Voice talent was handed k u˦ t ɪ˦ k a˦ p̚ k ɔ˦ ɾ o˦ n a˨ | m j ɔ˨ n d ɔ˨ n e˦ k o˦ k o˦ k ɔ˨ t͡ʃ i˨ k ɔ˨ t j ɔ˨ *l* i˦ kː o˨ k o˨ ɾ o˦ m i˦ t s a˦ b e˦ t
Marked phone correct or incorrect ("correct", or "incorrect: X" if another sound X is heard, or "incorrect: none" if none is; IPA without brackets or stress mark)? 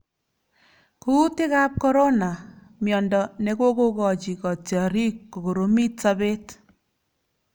incorrect: ɾ